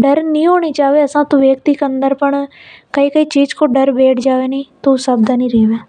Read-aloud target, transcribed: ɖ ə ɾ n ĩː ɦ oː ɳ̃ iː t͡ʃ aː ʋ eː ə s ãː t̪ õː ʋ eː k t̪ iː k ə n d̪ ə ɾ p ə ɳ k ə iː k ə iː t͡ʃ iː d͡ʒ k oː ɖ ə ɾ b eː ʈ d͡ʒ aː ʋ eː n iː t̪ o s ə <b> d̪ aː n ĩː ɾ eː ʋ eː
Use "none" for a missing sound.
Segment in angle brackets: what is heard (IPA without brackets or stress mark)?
b